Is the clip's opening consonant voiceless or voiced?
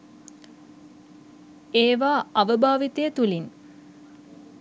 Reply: voiced